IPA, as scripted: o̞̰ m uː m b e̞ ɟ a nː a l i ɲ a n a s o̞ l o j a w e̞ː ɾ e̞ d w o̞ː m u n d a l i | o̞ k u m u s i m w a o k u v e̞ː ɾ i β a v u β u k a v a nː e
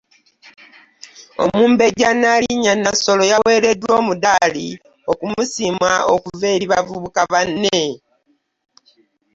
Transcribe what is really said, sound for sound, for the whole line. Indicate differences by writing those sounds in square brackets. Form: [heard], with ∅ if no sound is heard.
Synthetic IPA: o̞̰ m uː m b e̞ ɟ a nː a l i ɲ a n a s o̞ l o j a w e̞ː ɾ e̞ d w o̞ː m u [∅] d a l i | o̞ k u m u s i m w a o k u v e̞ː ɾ i β a v u β u k a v a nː e